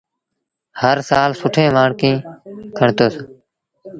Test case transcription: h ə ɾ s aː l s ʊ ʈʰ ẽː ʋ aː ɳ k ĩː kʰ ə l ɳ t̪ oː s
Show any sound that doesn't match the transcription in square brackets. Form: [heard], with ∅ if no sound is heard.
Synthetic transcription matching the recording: h ə ɾ s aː l s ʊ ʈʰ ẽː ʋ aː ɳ k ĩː kʰ ə [∅] ɳ t̪ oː s